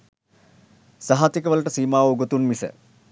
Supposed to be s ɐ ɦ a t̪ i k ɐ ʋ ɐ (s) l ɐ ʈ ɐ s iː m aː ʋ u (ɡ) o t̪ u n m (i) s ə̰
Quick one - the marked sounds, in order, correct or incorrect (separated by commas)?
incorrect, correct, correct